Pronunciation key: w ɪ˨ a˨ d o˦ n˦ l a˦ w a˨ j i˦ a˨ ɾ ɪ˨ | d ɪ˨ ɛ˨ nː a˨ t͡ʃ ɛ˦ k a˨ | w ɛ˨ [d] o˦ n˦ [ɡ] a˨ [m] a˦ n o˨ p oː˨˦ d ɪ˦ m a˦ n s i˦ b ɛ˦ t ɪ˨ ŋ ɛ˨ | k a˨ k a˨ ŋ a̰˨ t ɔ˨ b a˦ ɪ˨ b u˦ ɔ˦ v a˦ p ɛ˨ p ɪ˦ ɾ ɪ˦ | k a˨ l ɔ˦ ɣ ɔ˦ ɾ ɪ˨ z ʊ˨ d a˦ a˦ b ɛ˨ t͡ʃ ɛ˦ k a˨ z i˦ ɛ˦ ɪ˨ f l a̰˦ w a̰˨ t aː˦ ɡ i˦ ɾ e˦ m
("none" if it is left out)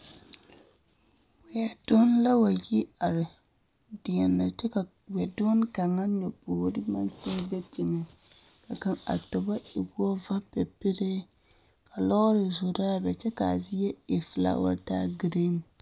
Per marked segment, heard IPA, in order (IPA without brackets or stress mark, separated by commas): d, k, ŋ